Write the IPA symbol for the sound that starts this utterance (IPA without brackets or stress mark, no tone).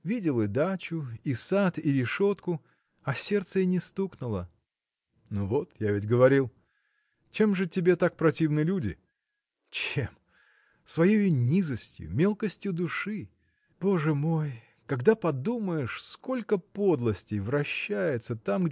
vʲ